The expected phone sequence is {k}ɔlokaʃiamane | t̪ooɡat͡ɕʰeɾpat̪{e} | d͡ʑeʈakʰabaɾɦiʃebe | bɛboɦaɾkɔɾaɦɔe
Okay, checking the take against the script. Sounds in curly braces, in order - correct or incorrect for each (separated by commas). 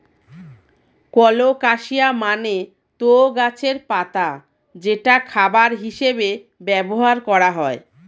correct, incorrect